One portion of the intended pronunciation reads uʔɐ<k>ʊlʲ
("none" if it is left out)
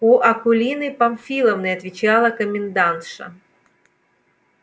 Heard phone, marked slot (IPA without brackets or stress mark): k